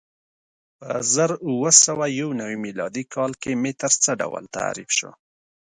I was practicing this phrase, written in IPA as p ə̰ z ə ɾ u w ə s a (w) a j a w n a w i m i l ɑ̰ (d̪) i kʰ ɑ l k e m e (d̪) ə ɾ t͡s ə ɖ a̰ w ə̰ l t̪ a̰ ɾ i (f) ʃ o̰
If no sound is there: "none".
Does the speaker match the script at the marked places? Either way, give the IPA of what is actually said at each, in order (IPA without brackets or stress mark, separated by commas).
w, d̪, t̪, f